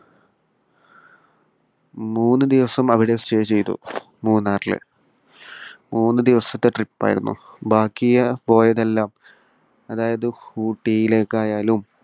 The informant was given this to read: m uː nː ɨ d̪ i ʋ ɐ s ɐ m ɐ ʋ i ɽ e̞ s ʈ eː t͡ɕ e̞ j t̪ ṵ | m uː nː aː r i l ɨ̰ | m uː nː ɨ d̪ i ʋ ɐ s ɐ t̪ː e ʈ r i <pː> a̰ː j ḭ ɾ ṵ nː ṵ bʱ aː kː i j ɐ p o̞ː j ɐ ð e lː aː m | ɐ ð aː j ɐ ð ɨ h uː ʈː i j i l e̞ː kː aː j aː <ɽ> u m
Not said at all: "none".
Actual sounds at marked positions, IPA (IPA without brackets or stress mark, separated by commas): pː, l